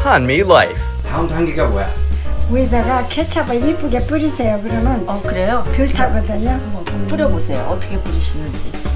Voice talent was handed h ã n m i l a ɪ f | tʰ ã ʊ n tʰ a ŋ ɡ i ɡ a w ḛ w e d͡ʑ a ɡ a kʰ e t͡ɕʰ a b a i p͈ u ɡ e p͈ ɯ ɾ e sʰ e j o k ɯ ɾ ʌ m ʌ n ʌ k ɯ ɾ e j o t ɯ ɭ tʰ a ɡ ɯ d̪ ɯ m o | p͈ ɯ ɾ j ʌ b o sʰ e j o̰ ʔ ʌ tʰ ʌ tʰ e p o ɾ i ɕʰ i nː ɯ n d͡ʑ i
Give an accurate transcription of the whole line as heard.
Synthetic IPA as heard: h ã n m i l a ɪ f | tʰ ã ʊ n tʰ a ŋ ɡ i ɡ a w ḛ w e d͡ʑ a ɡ a kʰ e t͡ɕʰ a b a i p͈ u ɡ e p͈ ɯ ɾ i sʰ e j o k ɯ ɾ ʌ m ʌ n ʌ k ɯ ɾ e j o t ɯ ɭ tʰ a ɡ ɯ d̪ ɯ ɲ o | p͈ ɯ ɾ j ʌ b o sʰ e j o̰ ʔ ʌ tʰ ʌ kʰ e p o ɾ i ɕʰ i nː ɯ n d͡ʑ i